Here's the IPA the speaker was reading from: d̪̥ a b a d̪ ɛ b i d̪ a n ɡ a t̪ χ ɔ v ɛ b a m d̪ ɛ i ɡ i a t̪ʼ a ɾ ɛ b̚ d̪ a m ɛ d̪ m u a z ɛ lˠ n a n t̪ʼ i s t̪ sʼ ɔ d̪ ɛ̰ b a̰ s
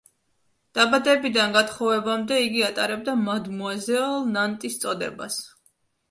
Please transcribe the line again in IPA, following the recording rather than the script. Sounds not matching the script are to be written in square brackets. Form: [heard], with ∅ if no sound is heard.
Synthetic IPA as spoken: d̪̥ a b a d̪ ɛ b i d̪ a n ɡ a t̪ χ ɔ v ɛ b a m d̪ ɛ i ɡ i a t̪ʼ a ɾ ɛ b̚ d̪ a m [a] d̪ m u a z ɛ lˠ n a n t̪ʼ i s t̪ sʼ ɔ d̪ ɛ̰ b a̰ s